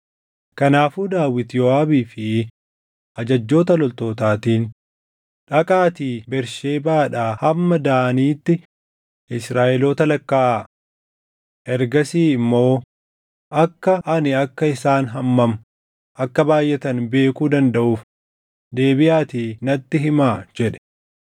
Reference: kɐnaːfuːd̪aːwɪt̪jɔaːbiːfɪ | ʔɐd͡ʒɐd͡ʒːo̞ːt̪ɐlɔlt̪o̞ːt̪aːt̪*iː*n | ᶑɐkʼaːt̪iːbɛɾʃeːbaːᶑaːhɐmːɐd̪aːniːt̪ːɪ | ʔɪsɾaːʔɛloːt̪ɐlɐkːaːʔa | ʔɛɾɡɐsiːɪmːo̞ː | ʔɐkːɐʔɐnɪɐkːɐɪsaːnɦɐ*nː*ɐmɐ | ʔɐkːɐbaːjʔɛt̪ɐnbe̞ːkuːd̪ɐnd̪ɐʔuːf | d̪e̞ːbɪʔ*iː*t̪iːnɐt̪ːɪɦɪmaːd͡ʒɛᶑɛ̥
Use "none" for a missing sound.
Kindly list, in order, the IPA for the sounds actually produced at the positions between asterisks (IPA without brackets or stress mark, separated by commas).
iː, mː, aː